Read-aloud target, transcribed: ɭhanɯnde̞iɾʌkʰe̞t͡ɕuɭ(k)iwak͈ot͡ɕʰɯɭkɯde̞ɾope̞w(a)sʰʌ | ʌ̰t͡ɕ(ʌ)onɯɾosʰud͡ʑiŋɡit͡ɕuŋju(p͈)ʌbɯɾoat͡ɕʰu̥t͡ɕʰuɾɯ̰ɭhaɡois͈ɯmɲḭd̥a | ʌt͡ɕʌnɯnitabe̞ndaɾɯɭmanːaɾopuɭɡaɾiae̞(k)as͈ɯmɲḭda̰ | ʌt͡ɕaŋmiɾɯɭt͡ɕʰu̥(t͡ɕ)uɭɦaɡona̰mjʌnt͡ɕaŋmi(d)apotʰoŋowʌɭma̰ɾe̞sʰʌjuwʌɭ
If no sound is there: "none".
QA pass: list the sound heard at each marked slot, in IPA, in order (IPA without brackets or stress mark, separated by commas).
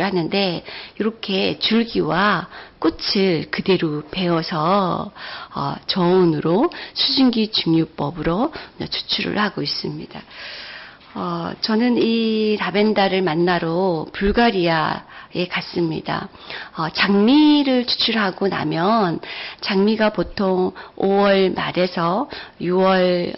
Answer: ɡ, ʌ, ʌ, p͈, k, t͡ɕʰ, ɡ